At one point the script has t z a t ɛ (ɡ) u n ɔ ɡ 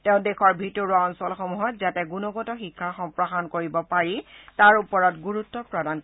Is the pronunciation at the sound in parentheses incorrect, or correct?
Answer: correct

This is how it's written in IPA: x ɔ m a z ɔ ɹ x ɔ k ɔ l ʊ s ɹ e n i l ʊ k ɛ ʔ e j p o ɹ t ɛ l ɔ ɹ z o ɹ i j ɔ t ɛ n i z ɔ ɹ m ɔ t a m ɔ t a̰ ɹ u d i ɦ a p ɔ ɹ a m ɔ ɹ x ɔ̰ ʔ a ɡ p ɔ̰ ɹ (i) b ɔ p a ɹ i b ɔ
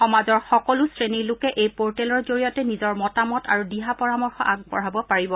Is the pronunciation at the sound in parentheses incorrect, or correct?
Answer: incorrect: a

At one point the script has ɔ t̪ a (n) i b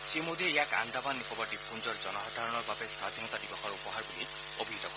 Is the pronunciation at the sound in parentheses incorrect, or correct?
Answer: incorrect: d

